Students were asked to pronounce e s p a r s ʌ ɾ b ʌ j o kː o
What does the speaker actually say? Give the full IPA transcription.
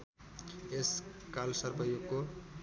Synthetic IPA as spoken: e s k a l s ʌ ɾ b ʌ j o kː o